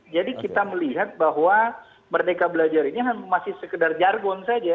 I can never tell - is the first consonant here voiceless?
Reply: no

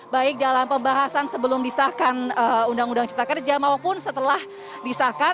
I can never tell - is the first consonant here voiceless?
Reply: no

